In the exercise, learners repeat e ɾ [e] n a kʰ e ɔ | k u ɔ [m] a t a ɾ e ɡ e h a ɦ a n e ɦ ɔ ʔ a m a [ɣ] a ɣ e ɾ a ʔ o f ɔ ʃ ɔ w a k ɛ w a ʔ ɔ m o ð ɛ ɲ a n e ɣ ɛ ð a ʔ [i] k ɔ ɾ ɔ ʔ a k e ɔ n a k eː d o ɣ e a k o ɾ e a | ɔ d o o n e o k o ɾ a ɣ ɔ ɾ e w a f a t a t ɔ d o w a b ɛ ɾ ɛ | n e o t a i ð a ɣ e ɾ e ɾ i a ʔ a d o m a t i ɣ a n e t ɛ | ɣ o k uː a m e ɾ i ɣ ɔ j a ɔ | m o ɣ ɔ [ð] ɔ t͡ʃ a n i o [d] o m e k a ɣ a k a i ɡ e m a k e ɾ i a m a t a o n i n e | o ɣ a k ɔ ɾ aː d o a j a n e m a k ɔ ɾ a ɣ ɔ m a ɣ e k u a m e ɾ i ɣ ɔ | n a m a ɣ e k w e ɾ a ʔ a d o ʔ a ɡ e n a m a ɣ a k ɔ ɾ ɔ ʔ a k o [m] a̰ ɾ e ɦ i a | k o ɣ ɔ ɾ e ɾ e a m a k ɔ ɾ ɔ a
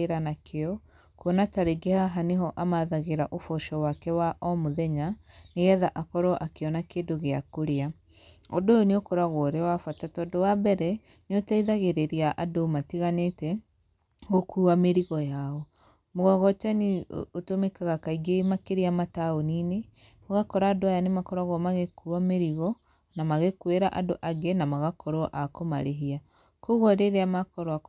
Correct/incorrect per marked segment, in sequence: incorrect: a, incorrect: n, incorrect: ð, incorrect: a, incorrect: ɣ, incorrect: t, correct

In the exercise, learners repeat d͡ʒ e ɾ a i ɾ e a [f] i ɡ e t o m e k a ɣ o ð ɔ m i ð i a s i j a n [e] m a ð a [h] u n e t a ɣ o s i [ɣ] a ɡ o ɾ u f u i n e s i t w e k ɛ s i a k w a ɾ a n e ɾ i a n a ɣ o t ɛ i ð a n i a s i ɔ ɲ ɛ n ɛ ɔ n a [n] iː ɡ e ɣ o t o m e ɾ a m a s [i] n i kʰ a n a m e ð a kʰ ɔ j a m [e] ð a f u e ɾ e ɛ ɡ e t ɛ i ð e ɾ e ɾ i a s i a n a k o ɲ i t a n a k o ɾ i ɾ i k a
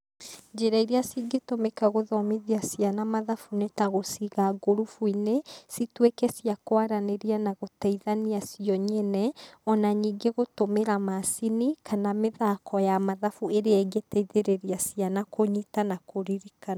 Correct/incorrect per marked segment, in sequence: incorrect: s, incorrect: a, incorrect: f, correct, incorrect: ɲ, correct, incorrect: a

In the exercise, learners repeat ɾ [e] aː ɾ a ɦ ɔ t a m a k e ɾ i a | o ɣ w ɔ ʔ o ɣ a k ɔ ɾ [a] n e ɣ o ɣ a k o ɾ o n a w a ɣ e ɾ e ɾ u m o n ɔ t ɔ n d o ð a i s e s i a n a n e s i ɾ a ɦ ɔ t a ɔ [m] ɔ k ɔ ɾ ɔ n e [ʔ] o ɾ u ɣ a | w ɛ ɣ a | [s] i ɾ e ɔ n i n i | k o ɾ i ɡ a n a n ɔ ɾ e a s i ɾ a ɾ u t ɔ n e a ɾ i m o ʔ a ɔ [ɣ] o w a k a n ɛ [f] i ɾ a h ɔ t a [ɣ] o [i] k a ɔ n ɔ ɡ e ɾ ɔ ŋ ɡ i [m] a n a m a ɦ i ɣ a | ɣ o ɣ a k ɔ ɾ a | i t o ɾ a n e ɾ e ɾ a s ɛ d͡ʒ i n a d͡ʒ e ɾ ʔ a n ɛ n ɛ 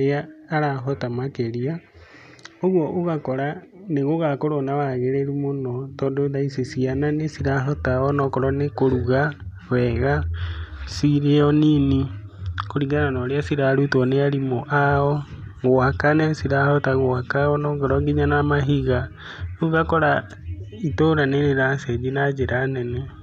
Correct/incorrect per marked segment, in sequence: correct, correct, incorrect: n, incorrect: k, correct, correct, incorrect: s, correct, incorrect: a, incorrect: ɲ

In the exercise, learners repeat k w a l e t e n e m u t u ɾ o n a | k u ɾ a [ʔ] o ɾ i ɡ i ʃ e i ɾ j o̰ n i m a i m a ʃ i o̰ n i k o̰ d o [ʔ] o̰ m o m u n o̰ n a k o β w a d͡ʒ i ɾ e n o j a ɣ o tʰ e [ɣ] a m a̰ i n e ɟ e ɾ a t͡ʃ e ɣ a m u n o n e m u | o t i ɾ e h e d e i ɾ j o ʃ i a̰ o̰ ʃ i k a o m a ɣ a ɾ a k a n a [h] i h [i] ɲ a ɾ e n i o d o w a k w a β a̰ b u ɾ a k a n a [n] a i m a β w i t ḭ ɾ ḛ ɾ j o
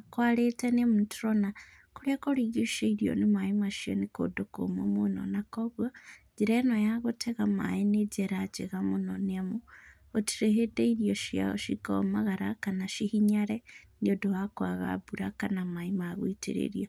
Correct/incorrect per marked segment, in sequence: incorrect: k, incorrect: k, correct, incorrect: ʃ, correct, incorrect: m

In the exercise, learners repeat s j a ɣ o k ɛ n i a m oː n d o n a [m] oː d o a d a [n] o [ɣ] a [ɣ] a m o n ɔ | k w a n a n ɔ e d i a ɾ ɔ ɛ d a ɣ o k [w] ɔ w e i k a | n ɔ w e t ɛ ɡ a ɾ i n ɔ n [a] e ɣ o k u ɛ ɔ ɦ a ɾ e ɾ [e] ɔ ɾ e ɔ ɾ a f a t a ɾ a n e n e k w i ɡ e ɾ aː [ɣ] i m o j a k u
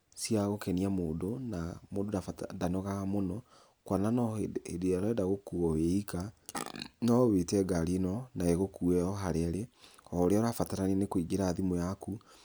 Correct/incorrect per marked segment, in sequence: correct, correct, correct, correct, incorrect: u, correct, correct, incorrect: ð

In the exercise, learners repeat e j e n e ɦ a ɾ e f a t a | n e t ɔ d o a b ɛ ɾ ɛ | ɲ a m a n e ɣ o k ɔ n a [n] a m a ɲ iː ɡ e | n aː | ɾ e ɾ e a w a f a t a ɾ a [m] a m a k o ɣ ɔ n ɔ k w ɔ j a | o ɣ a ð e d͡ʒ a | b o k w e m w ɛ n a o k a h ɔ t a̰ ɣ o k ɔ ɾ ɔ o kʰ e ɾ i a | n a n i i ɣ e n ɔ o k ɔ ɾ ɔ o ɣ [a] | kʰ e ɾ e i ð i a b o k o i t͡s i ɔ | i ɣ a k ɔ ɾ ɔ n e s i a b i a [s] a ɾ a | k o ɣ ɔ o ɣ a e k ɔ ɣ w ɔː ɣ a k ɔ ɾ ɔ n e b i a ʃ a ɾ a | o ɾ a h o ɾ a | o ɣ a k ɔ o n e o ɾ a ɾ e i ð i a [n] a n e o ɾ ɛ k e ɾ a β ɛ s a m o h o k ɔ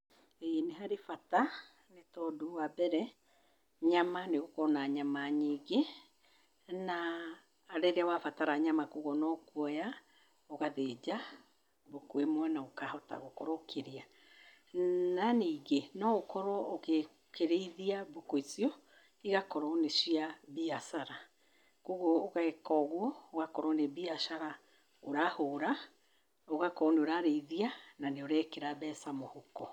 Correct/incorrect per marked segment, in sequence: incorrect: ɲ, incorrect: ɲ, incorrect: e, correct, correct

